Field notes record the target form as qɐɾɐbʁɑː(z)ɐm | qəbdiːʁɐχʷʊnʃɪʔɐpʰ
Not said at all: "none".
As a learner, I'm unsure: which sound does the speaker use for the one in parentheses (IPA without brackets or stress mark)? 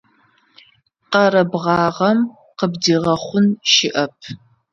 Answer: ʁ